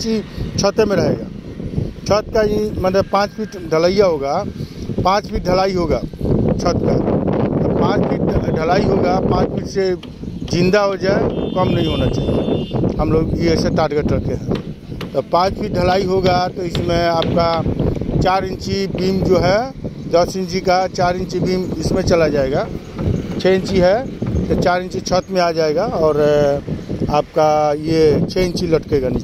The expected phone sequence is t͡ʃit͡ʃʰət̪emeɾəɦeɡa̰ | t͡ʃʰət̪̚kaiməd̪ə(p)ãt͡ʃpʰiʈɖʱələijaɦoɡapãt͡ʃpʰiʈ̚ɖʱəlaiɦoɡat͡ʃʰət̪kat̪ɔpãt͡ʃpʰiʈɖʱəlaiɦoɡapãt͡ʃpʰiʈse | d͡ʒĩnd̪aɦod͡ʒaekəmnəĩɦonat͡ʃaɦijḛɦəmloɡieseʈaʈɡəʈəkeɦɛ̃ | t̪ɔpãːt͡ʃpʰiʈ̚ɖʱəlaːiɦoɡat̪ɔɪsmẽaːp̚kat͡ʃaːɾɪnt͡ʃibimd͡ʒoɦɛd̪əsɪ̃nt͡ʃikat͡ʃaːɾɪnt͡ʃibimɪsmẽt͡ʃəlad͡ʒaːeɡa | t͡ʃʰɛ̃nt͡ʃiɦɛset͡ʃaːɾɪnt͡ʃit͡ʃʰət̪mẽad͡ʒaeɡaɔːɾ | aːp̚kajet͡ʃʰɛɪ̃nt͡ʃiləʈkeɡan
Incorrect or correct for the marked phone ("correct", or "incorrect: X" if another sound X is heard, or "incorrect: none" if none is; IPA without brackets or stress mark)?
correct